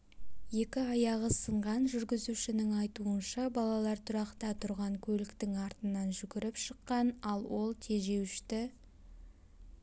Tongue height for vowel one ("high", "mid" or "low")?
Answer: mid